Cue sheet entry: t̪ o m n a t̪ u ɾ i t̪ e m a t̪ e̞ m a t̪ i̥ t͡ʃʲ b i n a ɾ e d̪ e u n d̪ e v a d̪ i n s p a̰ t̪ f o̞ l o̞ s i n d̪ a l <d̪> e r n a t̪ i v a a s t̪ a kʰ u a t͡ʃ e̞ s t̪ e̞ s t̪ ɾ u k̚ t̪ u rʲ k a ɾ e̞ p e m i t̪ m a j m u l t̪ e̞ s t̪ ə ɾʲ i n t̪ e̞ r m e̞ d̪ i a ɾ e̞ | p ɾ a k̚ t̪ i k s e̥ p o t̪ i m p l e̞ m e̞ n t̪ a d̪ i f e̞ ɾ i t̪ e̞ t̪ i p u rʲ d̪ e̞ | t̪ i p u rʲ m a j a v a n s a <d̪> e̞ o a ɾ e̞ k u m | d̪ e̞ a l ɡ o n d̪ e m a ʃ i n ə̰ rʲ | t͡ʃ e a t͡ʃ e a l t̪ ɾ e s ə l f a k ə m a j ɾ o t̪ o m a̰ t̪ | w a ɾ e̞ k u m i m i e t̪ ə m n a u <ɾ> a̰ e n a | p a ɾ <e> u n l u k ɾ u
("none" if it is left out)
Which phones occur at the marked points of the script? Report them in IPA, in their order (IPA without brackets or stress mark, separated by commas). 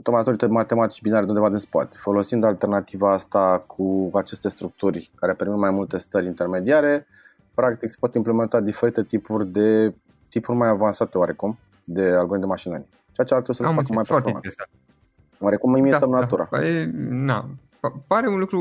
t̪, t̪, ɾ, e